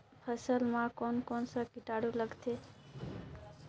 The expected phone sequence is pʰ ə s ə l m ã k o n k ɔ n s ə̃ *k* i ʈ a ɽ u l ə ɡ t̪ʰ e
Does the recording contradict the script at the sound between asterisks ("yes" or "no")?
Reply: no